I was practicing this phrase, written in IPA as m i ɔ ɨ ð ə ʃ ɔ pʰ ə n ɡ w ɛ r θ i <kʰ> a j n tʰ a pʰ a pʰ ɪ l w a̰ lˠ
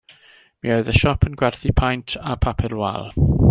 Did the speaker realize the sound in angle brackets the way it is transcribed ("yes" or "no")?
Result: no